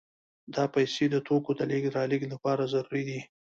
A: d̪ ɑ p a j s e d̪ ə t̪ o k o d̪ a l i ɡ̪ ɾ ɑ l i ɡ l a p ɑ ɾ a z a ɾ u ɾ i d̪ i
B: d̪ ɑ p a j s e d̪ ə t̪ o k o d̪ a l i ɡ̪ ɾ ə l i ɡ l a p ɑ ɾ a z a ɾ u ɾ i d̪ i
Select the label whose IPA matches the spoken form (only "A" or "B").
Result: A